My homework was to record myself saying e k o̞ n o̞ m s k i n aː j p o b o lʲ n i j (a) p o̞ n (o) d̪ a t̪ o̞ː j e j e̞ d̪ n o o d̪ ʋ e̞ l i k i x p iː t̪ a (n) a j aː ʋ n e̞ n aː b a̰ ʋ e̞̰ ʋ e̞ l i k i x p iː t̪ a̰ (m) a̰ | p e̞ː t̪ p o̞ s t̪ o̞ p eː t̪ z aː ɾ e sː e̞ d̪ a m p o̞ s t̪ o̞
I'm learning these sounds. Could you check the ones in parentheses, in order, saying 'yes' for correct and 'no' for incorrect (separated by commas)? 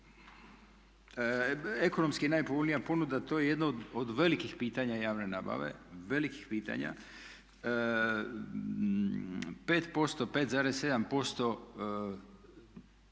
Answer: yes, no, no, no